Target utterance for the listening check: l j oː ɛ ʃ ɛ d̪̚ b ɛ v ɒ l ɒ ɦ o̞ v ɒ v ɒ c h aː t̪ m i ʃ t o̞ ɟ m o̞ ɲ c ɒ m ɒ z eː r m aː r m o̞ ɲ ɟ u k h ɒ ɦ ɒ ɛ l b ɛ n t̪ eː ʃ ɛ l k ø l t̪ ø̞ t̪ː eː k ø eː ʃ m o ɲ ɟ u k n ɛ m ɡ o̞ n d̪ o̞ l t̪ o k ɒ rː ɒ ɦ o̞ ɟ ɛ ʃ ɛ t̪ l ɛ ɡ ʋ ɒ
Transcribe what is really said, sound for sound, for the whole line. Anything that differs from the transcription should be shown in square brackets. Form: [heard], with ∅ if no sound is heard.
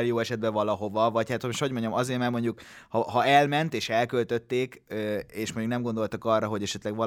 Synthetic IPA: l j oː ɛ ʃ ɛ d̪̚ b ɛ v ɒ l ɒ ɦ o̞ v ɒ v ɒ c h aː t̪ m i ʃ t o̞ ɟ m o̞ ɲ [ɟ] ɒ m ɒ z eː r m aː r m o̞ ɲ ɟ u k h ɒ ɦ ɒ ɛ l [m] ɛ n t̪ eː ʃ ɛ l k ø l t̪ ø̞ t̪ː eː k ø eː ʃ m o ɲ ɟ u k n ɛ m ɡ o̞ n d̪ o̞ l t̪ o k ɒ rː ɒ ɦ o̞ ɟ ɛ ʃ ɛ t̪ l ɛ ɡ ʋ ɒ